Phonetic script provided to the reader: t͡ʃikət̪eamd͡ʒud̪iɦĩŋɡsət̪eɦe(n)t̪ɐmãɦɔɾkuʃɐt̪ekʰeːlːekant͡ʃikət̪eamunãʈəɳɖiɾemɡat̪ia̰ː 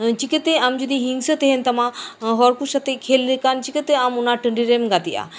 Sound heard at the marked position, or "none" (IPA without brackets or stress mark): n